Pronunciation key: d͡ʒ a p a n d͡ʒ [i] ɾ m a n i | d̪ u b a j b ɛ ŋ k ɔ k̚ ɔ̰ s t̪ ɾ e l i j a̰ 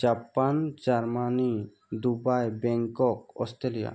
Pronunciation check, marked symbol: incorrect: a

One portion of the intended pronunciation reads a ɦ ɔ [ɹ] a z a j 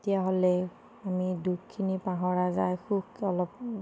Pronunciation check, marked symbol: correct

